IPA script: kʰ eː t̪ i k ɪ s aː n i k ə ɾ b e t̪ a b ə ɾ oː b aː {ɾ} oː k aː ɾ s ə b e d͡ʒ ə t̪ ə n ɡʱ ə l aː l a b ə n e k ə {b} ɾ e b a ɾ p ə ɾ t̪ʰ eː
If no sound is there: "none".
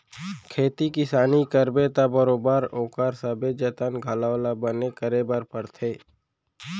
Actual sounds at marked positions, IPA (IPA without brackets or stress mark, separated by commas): ɾ, none